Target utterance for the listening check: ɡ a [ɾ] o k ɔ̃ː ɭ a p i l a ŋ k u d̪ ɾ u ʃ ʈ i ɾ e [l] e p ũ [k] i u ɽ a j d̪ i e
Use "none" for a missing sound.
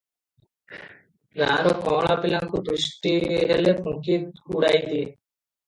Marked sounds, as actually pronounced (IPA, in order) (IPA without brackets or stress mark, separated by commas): ɾ, l, k